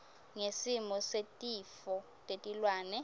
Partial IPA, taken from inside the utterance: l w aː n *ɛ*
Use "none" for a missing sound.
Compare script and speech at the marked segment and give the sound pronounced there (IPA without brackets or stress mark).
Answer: ɛ